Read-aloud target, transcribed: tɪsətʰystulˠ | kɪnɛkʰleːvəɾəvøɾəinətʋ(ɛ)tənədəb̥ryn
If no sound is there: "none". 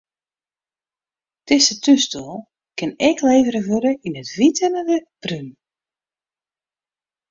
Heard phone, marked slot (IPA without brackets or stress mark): i